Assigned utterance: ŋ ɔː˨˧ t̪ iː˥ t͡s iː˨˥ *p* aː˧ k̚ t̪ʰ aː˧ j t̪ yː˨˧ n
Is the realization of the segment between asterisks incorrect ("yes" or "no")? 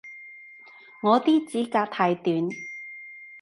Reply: yes